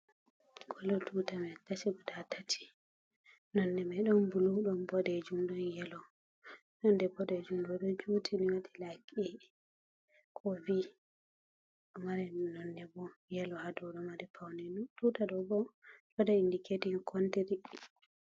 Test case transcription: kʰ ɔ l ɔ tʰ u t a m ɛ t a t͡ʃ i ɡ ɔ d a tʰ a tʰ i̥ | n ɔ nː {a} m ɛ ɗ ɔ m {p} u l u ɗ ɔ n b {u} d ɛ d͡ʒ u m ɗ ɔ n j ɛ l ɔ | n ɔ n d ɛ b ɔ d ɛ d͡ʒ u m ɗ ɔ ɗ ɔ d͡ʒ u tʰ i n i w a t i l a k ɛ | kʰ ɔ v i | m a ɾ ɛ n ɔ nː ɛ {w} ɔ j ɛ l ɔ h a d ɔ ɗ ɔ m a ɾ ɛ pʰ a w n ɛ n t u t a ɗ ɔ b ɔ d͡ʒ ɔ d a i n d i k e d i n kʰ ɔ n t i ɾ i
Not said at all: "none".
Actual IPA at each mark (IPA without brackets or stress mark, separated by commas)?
ɛ, b, ɔ, b